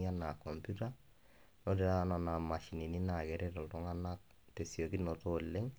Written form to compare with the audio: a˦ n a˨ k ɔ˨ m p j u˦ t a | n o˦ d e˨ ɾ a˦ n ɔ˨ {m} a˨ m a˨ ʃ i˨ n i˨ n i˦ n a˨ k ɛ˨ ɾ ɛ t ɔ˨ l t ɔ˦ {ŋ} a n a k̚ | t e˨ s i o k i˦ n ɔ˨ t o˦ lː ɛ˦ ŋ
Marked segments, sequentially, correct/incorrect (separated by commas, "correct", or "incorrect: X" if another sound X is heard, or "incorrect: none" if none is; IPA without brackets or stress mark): incorrect: n, correct